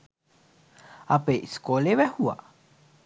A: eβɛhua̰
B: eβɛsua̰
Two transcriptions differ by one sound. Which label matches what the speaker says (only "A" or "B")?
A